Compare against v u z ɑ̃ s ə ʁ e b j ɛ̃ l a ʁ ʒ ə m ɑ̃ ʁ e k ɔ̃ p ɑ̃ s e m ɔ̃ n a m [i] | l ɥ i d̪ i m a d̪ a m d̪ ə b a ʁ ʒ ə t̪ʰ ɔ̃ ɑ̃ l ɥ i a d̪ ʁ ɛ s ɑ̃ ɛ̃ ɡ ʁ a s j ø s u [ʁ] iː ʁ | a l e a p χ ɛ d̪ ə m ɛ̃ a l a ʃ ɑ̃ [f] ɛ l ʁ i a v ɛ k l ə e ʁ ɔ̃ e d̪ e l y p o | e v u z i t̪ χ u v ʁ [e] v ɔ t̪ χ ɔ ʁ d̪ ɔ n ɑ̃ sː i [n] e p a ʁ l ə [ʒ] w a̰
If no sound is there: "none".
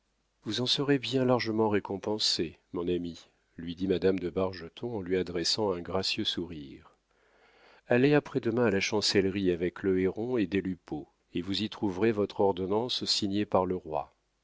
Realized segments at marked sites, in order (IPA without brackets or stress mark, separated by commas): i, ʁ, s, e, ɲ, ʁ